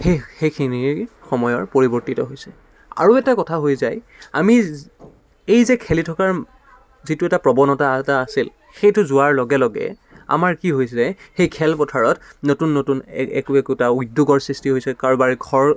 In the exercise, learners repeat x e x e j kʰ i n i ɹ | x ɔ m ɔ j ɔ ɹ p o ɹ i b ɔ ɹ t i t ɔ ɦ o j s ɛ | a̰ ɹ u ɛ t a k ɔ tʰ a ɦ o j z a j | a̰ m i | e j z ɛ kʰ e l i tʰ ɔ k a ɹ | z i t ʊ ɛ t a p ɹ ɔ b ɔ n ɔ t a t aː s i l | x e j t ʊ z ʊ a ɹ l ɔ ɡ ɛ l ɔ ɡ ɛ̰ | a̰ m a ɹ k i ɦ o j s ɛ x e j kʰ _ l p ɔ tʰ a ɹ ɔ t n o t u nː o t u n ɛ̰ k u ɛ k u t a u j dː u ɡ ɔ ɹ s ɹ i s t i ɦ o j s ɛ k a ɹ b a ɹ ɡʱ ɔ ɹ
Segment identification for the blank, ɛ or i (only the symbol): ɛ